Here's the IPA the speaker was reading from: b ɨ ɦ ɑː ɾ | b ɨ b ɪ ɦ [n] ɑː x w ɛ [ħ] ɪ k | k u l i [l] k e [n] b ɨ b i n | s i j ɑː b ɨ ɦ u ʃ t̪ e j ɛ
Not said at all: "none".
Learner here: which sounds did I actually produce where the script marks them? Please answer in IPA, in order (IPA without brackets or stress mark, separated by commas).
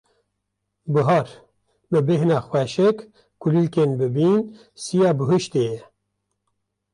n, ʃ, l, n